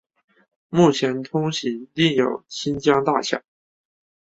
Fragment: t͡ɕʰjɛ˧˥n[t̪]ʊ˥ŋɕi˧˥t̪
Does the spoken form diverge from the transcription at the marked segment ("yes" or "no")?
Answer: yes